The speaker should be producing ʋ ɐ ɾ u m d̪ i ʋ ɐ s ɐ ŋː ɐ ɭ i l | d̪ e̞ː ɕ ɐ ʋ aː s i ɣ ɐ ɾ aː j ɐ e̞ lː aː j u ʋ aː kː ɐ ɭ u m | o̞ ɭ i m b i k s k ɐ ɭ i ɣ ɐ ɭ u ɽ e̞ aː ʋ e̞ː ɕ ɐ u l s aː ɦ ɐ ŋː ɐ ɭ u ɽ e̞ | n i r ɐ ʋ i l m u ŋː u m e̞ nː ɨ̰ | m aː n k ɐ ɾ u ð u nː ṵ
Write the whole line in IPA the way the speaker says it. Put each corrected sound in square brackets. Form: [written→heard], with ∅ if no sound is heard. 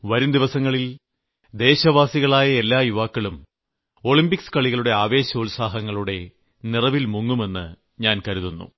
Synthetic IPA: ʋ ɐ ɾ u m d̪ i ʋ ɐ s ɐ ŋː ɐ ɭ i l | d̪ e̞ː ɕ ɐ ʋ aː s i ɣ ɐ [ɾ→ɭ] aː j ɐ e̞ lː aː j u ʋ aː kː ɐ ɭ u m | o̞ ɭ i m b i k s k ɐ ɭ i ɣ ɐ ɭ u ɽ e̞ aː ʋ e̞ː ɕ ɐ u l s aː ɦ ɐ ŋː ɐ ɭ u ɽ e̞ | n i r ɐ ʋ i l m u ŋː u m e̞ nː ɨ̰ | [m→ɲ] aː n k ɐ ɾ u ð u nː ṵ